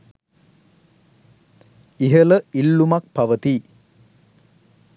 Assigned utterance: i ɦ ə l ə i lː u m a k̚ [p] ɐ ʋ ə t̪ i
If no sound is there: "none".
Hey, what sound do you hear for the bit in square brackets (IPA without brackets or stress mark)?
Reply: p